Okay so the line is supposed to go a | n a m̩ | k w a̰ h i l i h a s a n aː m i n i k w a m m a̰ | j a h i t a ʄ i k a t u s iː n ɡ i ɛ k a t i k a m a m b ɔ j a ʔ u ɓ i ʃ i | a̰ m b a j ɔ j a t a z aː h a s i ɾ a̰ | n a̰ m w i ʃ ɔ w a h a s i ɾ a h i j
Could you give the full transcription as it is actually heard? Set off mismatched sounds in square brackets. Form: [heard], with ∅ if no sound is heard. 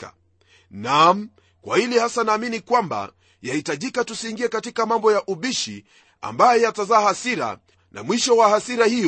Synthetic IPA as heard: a | n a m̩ | k w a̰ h i l i h a s a n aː m i n i k w a m [b] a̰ | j a h i t a ʄ i k a t u s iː [ŋ] ɡ i ɛ k a t i k a m a m b ɔ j a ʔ u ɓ i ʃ i | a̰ m b a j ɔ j a t a z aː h a s i ɾ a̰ | n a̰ m w i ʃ ɔ w a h a s i ɾ a h i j